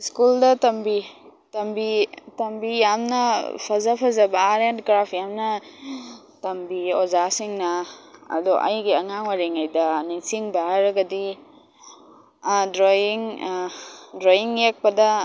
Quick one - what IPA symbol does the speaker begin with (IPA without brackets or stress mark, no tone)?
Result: s